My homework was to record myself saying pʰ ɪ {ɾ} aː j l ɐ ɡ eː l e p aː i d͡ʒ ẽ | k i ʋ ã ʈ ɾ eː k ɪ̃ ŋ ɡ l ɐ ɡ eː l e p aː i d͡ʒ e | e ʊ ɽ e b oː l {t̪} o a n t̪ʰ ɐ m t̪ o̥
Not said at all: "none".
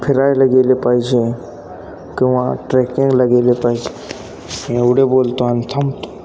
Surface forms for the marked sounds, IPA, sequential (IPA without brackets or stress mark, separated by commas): ɾ, t̪